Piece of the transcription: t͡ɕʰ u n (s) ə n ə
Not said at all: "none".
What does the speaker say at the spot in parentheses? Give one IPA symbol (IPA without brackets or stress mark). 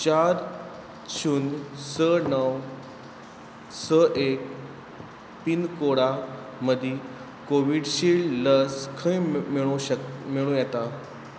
s